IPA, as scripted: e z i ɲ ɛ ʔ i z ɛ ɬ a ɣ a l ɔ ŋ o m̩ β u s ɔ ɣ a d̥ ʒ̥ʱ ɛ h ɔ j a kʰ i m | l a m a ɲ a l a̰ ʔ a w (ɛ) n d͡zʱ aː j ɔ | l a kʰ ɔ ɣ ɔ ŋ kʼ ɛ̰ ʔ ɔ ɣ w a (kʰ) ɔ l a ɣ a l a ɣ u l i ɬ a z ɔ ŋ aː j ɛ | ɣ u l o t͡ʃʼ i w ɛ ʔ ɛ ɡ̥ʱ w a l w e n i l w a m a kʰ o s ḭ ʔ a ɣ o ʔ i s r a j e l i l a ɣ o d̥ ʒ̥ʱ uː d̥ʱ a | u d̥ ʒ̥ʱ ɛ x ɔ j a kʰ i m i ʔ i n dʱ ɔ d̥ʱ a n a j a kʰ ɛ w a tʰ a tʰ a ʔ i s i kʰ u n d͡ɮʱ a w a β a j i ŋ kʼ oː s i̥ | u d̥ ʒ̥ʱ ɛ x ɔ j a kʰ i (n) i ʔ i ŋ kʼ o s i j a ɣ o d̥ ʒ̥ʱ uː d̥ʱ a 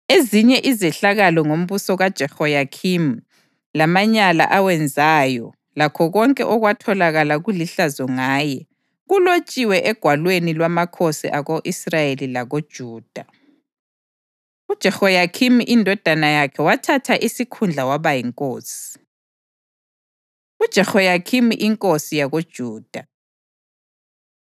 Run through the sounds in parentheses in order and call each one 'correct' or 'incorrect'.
correct, incorrect, incorrect

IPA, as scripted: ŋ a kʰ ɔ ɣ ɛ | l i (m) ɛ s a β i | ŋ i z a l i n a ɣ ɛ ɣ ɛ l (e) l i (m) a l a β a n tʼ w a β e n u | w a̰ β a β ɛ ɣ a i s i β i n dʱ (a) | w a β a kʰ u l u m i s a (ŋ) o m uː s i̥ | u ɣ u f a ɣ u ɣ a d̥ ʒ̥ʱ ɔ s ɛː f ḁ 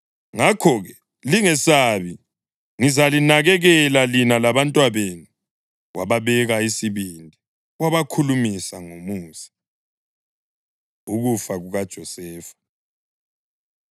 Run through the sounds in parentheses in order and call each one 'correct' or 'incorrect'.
incorrect, incorrect, incorrect, incorrect, correct

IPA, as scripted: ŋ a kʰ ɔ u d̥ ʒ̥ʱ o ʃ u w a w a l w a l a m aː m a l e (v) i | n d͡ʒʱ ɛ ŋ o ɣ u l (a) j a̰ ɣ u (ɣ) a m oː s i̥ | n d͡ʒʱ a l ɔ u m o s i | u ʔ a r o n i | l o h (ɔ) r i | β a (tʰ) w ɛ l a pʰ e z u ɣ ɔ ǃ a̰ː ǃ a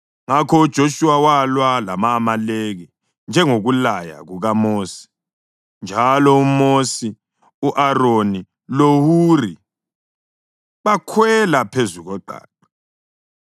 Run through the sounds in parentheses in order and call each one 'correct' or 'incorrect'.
incorrect, correct, correct, incorrect, incorrect

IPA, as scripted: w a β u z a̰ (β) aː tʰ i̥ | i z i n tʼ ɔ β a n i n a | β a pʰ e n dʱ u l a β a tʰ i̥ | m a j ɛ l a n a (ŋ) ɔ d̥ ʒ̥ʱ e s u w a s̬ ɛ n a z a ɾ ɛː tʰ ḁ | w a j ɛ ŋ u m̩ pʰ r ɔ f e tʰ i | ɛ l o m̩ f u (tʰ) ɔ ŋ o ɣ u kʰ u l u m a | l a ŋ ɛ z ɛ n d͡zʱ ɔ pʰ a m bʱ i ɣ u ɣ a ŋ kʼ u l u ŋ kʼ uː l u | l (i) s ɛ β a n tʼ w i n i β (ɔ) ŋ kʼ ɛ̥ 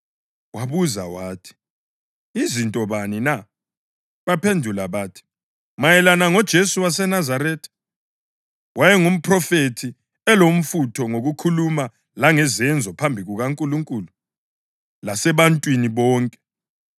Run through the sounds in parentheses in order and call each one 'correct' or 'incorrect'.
incorrect, correct, correct, incorrect, incorrect

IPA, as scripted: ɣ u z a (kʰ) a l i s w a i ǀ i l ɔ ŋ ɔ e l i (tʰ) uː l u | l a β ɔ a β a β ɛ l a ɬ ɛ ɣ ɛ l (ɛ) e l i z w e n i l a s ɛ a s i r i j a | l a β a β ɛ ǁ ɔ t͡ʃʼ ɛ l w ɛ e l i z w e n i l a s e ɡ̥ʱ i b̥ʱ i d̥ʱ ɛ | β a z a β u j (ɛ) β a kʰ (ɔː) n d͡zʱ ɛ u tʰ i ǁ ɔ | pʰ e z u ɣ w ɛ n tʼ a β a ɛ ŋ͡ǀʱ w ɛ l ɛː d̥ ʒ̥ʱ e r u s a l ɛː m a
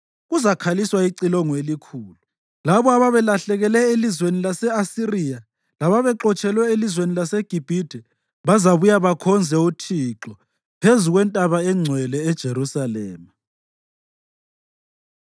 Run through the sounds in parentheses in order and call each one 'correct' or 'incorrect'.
correct, incorrect, correct, incorrect, incorrect

